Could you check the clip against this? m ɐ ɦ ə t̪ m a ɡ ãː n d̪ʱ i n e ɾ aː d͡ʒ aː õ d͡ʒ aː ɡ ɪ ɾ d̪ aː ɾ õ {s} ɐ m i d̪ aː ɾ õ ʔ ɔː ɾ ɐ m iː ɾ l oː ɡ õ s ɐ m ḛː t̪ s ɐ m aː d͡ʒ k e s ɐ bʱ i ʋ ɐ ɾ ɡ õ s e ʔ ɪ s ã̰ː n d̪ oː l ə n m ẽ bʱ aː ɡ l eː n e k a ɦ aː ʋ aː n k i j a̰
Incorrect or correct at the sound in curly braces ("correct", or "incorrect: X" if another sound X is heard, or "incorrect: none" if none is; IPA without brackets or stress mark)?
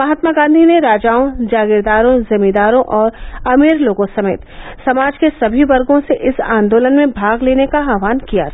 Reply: incorrect: z